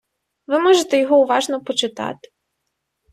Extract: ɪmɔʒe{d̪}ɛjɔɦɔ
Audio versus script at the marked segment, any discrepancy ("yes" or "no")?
yes